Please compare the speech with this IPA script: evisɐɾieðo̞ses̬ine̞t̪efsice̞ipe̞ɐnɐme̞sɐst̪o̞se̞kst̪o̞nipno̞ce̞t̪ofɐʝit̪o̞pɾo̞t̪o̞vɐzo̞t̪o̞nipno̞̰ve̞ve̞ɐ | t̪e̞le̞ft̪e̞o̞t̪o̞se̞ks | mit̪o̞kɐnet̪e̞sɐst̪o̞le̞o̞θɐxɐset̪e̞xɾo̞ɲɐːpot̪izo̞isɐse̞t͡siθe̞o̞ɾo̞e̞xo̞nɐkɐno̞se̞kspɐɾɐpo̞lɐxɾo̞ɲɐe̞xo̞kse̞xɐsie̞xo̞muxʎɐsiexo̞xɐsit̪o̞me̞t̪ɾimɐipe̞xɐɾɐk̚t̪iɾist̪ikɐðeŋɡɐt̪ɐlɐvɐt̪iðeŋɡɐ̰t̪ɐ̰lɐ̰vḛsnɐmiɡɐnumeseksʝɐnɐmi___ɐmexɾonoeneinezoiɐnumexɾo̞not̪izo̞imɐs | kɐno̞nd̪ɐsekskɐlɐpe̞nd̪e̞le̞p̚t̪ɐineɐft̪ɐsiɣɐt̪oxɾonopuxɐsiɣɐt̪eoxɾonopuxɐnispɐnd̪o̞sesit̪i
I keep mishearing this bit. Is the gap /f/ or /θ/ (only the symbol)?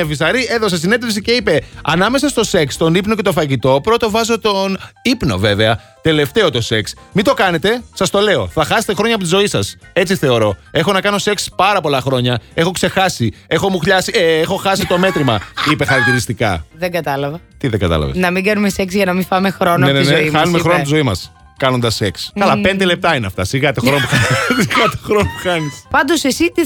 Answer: f